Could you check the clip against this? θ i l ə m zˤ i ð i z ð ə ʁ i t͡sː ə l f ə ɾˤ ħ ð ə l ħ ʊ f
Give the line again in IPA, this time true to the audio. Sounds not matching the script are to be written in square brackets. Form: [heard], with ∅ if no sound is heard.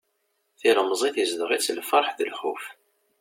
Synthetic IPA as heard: θ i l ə m zˤ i [θ] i z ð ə ʁ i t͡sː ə l f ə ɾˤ ħ ð ə l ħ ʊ f